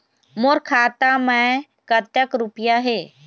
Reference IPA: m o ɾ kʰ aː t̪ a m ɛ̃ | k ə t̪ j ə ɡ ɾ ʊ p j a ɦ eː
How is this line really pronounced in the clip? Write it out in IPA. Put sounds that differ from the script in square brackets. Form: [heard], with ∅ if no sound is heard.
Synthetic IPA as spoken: m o ɾ kʰ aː t̪ a m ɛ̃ | k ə t̪ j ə [k] ɾ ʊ p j a ɦ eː